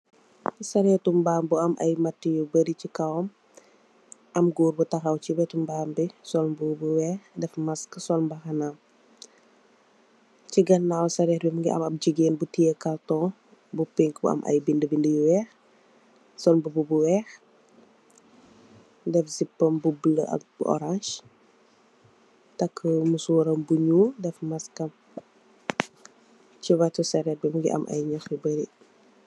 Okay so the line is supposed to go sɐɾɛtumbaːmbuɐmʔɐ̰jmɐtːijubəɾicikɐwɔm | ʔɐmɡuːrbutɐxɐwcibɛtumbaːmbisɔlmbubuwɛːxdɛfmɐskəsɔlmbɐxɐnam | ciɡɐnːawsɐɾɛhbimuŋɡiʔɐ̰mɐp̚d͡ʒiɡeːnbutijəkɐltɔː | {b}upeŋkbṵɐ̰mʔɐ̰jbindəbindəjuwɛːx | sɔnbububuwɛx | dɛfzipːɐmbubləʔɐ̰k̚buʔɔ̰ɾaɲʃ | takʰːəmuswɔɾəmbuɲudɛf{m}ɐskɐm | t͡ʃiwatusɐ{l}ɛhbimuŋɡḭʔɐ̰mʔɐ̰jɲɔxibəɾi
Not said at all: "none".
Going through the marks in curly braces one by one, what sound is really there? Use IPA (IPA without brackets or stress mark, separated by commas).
b, m, ɾ